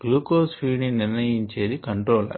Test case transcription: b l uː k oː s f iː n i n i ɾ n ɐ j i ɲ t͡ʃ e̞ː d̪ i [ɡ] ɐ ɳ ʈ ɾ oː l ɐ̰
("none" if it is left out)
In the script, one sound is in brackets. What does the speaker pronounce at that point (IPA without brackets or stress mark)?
k